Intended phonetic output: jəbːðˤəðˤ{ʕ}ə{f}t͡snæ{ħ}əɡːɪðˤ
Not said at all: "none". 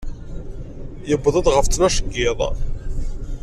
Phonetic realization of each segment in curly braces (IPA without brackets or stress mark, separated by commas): ʁ, f, ʃ